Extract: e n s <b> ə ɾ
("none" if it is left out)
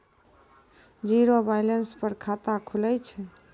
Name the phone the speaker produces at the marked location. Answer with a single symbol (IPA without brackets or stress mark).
p